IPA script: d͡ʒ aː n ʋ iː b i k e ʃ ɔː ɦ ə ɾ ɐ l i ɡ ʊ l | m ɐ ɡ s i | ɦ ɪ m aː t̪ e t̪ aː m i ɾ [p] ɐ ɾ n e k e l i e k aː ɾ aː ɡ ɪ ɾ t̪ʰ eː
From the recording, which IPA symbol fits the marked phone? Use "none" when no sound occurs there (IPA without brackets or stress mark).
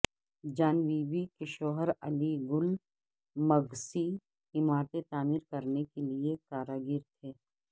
k